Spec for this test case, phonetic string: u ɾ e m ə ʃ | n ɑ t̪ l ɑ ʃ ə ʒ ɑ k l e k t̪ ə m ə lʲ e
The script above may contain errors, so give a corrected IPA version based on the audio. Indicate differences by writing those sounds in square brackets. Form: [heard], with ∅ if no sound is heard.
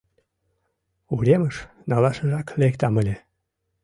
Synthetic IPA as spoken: u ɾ e m ə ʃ | n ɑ [∅] l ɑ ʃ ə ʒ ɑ k l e k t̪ [ɑ] m ə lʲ e